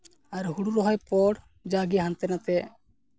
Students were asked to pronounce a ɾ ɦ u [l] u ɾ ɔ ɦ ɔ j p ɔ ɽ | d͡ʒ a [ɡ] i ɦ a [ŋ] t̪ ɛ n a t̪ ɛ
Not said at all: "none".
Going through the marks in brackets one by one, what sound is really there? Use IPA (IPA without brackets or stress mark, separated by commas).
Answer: ɽ, ɡ, n